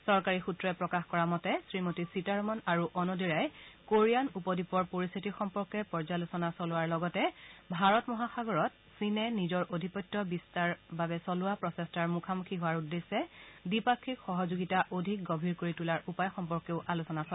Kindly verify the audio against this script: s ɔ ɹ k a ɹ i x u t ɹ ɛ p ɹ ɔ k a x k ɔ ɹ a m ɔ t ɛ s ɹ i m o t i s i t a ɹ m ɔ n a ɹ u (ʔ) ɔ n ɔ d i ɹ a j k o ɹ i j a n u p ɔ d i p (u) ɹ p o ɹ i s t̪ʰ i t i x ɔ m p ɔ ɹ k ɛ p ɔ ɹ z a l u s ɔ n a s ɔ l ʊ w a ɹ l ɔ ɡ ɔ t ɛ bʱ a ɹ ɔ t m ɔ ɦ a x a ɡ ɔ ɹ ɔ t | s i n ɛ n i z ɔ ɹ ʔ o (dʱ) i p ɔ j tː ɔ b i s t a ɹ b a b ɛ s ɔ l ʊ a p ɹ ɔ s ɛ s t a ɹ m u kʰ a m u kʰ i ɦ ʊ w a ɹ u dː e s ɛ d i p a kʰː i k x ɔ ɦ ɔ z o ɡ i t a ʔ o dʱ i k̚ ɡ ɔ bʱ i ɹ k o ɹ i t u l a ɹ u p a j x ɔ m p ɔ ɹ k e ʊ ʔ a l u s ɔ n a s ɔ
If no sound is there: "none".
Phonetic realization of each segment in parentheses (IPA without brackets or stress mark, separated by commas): ʔ, ɔ, dʱ